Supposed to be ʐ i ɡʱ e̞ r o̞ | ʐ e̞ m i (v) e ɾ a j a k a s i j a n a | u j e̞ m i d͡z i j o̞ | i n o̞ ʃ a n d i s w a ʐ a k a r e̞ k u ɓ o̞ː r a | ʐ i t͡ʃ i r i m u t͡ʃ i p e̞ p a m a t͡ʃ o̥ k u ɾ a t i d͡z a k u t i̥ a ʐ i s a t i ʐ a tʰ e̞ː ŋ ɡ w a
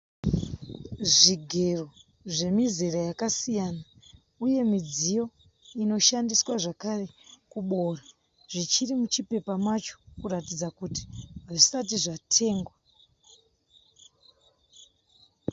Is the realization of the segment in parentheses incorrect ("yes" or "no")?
yes